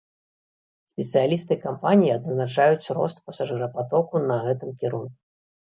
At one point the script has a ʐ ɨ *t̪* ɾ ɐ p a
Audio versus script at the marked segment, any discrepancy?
yes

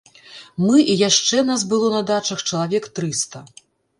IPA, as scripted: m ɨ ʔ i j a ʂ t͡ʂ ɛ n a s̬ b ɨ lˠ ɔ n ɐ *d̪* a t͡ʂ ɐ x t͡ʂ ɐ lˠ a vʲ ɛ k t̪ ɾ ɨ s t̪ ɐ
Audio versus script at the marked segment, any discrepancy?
no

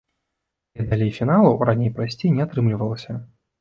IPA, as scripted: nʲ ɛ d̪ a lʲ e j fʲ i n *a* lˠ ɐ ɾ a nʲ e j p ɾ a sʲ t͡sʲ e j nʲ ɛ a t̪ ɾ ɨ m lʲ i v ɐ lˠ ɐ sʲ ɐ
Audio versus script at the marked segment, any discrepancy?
no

